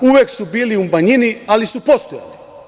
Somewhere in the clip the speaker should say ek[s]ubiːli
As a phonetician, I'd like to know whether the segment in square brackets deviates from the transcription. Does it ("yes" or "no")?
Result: no